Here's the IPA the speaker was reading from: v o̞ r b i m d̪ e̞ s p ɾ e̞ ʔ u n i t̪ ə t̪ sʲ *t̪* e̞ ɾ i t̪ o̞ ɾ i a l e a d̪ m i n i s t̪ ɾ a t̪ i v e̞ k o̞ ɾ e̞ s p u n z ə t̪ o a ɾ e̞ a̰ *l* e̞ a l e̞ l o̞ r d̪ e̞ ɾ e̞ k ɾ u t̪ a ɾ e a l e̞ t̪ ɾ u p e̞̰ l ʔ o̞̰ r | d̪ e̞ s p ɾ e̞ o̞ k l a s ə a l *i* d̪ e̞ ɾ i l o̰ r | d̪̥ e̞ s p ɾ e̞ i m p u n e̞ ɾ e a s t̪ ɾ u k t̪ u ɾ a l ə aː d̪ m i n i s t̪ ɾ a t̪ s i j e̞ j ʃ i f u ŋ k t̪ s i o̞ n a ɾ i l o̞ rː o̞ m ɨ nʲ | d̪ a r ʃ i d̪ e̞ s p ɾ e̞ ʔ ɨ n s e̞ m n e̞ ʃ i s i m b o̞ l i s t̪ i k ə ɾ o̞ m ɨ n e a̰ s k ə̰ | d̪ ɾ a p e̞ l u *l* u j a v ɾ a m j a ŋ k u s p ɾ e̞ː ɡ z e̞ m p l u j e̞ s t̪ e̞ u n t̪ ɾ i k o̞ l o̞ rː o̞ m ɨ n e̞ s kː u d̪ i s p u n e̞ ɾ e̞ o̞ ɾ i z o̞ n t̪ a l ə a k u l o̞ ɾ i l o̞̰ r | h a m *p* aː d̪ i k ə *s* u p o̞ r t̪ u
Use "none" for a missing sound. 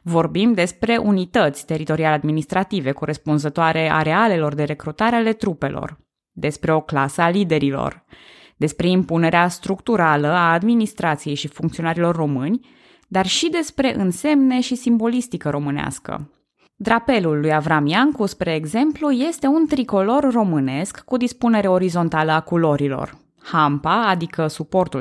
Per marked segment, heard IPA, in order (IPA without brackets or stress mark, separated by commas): t̪, ɾ, i, lː, p, s